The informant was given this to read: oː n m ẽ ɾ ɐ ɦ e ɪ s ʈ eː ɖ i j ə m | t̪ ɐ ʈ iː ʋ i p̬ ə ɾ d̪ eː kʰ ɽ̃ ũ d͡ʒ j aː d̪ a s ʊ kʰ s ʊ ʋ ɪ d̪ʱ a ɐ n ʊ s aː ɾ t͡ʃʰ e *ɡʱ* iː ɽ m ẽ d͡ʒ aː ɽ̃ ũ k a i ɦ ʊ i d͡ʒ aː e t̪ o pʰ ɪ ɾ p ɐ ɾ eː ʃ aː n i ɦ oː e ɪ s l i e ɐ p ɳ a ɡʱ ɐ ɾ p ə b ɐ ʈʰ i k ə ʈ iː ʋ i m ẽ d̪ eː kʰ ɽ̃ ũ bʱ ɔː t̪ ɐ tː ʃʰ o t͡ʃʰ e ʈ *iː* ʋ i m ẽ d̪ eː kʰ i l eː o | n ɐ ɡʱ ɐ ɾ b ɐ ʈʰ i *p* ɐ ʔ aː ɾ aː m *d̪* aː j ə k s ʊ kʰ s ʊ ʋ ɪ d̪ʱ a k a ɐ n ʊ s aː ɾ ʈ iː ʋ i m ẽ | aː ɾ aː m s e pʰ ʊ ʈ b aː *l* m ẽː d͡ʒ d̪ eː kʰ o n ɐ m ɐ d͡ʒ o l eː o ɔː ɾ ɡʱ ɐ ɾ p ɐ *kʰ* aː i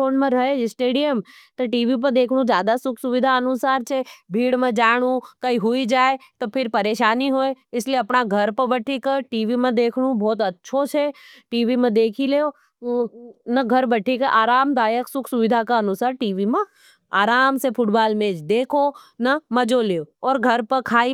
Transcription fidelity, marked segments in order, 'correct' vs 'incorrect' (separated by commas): incorrect, correct, incorrect, correct, correct, correct